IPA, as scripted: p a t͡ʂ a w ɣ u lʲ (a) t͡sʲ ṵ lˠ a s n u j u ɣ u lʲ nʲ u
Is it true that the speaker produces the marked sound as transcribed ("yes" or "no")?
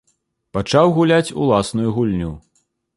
yes